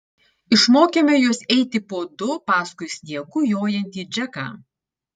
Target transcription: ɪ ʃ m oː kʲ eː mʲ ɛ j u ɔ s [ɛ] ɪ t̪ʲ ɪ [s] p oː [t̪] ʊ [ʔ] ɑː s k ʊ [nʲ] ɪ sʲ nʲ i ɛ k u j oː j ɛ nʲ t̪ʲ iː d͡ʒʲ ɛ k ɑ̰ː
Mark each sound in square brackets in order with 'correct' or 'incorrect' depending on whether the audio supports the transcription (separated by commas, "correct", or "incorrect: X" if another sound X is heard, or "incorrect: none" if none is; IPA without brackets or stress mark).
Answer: correct, incorrect: none, incorrect: d̪, incorrect: p, incorrect: none